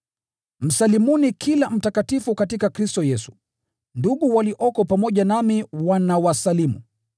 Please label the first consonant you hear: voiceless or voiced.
voiced